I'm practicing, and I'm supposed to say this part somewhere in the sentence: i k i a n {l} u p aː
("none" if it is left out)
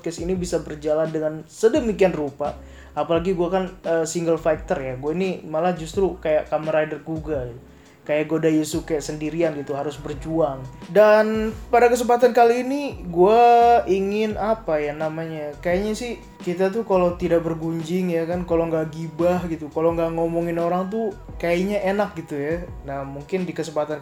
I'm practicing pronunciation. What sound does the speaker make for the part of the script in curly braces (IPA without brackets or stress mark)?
r